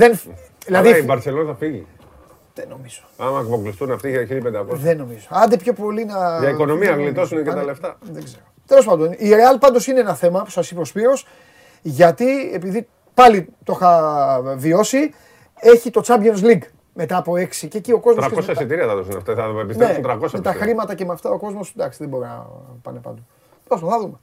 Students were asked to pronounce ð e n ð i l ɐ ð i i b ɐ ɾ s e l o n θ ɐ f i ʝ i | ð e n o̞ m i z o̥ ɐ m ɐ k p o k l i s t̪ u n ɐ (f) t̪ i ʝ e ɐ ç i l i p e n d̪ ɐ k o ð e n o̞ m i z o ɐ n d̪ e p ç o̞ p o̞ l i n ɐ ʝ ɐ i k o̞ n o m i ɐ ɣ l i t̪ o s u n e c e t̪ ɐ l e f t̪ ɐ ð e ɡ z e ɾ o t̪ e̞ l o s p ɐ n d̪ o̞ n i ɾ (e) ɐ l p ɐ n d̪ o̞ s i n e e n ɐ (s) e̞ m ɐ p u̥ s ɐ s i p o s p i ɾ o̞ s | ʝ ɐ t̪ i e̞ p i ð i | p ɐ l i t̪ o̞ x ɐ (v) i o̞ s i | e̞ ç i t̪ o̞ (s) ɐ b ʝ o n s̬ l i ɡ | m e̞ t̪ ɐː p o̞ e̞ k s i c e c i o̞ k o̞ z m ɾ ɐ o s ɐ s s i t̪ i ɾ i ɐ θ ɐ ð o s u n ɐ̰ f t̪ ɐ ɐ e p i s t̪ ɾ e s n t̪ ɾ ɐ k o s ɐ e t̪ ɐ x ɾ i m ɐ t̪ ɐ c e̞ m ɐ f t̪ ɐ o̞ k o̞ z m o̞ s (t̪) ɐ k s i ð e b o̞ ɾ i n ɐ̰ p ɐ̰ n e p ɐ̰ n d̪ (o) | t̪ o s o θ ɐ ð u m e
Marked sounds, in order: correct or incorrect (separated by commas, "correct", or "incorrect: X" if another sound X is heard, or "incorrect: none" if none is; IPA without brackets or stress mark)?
correct, correct, incorrect: θ, correct, incorrect: t͡s, incorrect: d̪, correct